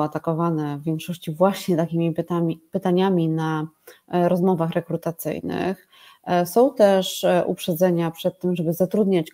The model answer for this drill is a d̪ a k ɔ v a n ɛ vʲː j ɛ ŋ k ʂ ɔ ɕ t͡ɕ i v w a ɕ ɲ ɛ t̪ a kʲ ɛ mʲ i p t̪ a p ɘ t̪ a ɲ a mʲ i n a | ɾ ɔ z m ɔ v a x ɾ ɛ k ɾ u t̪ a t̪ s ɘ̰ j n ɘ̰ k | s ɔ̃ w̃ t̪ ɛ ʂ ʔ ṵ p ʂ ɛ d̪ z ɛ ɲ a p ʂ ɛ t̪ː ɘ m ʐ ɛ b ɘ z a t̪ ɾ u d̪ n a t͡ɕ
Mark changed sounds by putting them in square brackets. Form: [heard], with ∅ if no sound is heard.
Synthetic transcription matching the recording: a [t̪] a k ɔ v a n ɛ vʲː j ɛ ŋ k ʂ ɔ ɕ t͡ɕ i v w a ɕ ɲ ɛ t̪ a kʲ [i] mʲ i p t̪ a p ɘ t̪ a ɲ a mʲ i n a | ɾ ɔ z m ɔ v a x ɾ ɛ k ɾ u t̪ a t̪ s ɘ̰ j n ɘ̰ [x] | s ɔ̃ w̃ t̪ ɛ ʂ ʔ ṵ p ʂ ɛ d̪ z ɛ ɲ a p ʂ ɛ t̪ː ɘ m ʐ ɛ b ɘ z a t̪ ɾ u d̪ [ɲ] a t͡ɕ